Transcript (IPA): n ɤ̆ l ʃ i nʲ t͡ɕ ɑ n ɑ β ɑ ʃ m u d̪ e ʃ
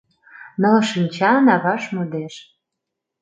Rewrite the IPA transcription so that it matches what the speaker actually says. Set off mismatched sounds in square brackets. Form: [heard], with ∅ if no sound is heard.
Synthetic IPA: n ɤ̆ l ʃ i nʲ t͡ɕ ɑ n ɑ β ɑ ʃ m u d̪ e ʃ